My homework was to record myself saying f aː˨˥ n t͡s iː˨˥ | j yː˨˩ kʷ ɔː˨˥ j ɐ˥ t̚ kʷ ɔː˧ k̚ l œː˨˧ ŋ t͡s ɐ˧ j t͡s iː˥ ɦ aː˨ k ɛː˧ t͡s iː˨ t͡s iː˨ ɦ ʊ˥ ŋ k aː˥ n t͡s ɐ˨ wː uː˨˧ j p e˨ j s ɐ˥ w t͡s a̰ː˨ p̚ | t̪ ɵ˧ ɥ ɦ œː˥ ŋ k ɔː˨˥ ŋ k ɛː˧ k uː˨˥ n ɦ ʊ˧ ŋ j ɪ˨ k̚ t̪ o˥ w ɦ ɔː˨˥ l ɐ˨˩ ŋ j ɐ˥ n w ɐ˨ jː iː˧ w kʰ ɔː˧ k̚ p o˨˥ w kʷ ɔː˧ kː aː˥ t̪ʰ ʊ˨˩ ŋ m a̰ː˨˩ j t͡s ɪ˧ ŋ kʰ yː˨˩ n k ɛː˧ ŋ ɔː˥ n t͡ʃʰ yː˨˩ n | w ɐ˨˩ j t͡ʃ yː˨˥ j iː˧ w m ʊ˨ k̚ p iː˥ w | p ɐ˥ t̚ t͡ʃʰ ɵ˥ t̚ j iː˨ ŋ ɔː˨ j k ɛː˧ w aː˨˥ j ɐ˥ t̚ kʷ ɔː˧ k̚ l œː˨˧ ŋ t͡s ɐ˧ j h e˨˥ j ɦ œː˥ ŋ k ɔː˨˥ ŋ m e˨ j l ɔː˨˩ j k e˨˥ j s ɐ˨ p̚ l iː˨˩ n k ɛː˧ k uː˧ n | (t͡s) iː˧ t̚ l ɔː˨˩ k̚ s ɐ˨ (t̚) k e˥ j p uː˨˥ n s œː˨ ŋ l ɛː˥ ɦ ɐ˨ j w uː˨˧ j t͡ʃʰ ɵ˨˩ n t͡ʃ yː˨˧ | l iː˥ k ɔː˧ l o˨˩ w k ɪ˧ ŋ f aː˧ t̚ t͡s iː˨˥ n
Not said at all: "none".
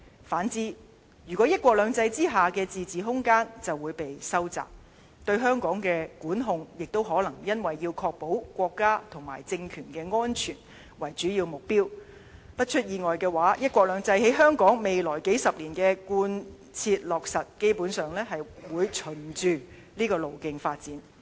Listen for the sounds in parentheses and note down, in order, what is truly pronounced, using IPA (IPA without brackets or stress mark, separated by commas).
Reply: t͡sʰ, t̚